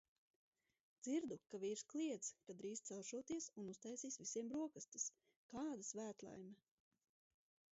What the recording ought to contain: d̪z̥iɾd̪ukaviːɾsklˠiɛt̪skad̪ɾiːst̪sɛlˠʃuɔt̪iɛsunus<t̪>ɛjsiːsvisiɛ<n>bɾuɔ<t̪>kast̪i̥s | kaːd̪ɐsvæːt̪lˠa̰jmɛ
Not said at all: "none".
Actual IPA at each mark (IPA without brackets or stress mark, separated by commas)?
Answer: t̪, m, none